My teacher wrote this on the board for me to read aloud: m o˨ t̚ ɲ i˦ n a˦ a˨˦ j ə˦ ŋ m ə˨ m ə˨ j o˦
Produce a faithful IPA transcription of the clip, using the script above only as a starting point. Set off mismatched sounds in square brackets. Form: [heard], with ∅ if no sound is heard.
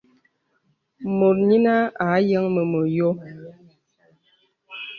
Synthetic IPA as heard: m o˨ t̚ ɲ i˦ n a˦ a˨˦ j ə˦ ŋ m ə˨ m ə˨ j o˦